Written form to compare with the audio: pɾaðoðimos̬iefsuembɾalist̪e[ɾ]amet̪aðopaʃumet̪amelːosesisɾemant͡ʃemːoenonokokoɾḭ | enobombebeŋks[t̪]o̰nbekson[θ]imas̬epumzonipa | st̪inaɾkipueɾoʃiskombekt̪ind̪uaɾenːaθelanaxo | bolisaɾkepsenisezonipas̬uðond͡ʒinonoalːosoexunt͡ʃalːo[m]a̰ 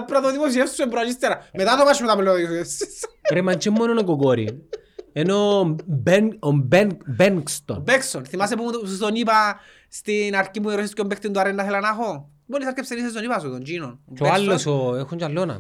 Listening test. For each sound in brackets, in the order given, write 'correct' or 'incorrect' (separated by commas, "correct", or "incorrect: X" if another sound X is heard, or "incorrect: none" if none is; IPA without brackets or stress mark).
correct, correct, correct, incorrect: n